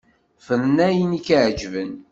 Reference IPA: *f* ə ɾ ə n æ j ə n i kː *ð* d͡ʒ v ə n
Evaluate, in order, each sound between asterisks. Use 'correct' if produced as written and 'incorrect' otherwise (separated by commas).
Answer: correct, incorrect